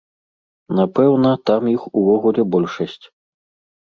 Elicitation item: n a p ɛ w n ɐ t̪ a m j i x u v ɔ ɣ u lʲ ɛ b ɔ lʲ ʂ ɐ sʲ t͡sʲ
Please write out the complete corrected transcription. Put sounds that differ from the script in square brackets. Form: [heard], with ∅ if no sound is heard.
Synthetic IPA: n a p ɛ w n ɐ t̪ a m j i x u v ɔ ɣ u lʲ ɛ b ɔ lʲ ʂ ɐ sʲ t͡sʲ